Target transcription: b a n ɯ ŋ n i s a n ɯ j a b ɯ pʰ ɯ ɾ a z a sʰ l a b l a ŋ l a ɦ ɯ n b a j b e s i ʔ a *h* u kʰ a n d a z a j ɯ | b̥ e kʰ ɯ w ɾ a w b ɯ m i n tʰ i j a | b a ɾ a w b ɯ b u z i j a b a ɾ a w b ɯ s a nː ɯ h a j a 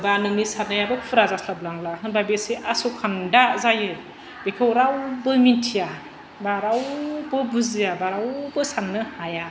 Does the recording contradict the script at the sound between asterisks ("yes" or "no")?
yes